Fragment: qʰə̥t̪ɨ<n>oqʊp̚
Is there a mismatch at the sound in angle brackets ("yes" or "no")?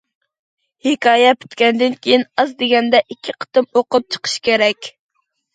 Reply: yes